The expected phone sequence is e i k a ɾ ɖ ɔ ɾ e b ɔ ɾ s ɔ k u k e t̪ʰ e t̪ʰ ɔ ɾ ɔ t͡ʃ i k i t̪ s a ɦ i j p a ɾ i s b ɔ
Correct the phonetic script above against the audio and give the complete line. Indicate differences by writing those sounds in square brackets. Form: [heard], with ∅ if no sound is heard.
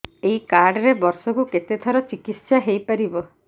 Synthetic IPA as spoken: e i k a ɾ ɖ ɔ ɾ e b ɔ ɾ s ɔ k u k e [t̪] e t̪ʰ ɔ ɾ ɔ t͡ʃ i k i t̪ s a ɦ [e] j p a ɾ i [∅] b ɔ